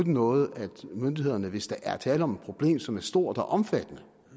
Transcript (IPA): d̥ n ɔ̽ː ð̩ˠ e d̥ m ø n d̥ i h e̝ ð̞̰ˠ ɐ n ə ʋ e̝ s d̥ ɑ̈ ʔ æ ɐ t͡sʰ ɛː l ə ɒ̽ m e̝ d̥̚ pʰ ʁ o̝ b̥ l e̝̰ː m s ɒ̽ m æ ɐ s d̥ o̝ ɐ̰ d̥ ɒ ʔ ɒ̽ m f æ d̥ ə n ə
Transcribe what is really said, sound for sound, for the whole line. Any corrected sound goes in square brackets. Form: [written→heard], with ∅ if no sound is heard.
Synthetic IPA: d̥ n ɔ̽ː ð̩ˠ [e→æ] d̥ m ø n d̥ i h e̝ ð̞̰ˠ ɐ n ə ʋ e̝ s d̥ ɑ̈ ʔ æ ɐ t͡sʰ ɛː l ə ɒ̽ m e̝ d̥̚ pʰ ʁ o̝ b̥ l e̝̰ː m s ɒ̽ m æ ɐ s d̥ o̝ ɐ̰ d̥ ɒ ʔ ɒ̽ m f æ d̥ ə n ə